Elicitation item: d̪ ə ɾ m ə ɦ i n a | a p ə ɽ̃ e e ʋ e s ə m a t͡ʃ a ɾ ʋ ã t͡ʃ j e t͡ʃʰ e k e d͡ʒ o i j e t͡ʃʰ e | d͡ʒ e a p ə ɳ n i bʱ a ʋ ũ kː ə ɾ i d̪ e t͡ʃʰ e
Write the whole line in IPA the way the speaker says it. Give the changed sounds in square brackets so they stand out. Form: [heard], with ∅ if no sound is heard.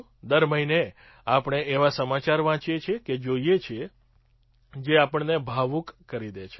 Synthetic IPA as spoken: d̪ ə ɾ m ə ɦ i n [e] | a p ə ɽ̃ e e ʋ [a] s ə m a t͡ʃ a ɾ ʋ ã t͡ʃ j e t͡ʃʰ e k e d͡ʒ o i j e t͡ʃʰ e | d͡ʒ e a p ə ɳ n [e] bʱ a ʋ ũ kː ə ɾ i d̪ e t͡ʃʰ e